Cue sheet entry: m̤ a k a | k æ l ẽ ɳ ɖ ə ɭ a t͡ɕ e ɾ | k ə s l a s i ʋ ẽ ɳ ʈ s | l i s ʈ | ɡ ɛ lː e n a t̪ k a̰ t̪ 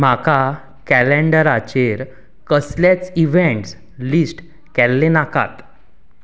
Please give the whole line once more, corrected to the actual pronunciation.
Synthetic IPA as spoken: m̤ a k a | k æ l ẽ ɳ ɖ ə ɾ a t͡ɕ e ɾ | k ə s l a t͡s i ʋ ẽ ɳ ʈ s | l i s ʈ | k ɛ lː e n a k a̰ t̪